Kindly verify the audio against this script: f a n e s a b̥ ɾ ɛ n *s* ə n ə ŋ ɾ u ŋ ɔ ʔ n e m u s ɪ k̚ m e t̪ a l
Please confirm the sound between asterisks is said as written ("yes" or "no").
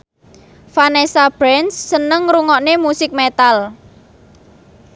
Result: no